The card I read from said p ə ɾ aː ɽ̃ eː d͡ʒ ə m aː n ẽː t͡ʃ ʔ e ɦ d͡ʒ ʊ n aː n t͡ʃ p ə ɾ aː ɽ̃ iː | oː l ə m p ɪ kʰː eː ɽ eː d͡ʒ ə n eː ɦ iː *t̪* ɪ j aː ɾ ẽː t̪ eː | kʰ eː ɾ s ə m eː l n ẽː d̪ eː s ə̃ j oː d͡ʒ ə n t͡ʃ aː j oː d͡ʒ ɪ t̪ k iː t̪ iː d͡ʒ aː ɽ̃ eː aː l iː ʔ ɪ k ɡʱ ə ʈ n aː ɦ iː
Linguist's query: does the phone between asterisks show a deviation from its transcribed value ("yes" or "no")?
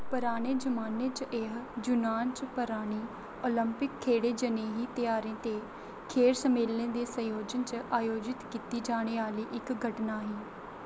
no